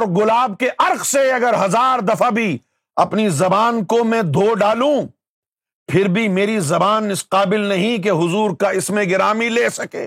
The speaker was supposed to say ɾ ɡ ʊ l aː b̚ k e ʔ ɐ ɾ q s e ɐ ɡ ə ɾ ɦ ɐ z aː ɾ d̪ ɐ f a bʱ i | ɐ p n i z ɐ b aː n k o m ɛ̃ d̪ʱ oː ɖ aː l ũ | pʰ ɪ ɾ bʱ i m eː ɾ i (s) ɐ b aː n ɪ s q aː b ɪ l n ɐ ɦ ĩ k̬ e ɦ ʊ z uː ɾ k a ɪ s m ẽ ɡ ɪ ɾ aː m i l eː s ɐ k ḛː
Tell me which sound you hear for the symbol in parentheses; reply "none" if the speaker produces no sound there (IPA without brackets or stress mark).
z